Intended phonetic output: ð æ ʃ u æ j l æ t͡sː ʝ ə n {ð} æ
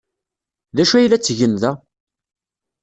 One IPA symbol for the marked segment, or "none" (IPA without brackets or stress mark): ð